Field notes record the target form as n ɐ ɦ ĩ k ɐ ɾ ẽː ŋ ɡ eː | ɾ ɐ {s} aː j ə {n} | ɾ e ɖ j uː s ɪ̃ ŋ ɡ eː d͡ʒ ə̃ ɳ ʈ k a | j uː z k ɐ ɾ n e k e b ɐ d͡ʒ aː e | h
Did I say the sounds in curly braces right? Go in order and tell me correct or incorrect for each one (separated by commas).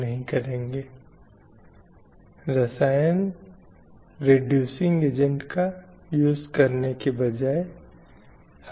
correct, correct